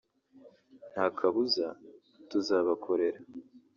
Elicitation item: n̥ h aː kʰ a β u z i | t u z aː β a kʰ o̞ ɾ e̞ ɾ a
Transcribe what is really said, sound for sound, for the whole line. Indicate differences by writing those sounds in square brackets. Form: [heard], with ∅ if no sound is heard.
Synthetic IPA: n̥ h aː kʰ a β u z [a] | t u z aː β a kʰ o̞ ɾ e̞ ɾ a